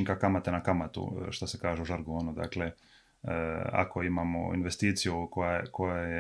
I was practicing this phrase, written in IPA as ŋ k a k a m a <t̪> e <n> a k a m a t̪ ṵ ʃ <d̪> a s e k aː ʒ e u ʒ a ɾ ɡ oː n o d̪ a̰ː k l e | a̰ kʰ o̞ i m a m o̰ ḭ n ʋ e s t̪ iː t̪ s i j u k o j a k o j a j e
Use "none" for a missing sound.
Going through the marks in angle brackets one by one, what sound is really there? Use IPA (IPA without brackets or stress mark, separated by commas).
t̪, n, t̪